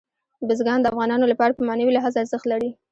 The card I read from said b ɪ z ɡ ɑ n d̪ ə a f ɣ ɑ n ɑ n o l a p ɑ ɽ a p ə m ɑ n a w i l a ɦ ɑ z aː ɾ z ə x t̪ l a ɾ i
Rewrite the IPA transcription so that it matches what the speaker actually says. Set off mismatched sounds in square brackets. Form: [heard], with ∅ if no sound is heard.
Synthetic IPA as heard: b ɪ z ɡ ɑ n d̪ ə a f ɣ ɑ n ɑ n o l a p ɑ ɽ a p ə m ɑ n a w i l a ɦ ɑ z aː ɾ z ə x t̪ l a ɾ i